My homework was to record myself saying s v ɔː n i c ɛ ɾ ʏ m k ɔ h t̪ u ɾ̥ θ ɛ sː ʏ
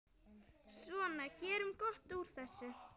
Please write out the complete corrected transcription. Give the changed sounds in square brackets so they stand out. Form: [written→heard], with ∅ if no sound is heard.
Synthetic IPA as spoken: s v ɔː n [i→a] c [ɛ→ɛː] ɾ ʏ m k ɔ h t̪ u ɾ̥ θ ɛ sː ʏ